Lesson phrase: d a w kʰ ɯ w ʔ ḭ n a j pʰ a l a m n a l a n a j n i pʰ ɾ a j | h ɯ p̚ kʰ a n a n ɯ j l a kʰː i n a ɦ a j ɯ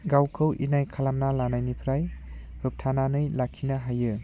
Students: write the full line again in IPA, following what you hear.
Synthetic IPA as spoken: ɡ a w kʰ ɯ w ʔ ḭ n a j kʰ a l a m n a l a n a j n i pʰ ɾ a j | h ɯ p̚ tʰ a n a n ɯ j l a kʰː i n a ɦ a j ɯ